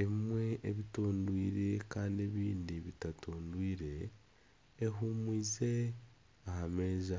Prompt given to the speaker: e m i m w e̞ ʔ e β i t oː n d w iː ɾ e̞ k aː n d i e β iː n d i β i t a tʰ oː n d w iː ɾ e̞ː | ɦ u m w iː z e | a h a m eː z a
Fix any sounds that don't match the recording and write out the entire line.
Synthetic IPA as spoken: e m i m w e̞ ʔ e β i t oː n d w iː ɾ e̞ k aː n d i e β iː n d i β i t a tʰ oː n d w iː ɾ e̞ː | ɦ u m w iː z e | a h a m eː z a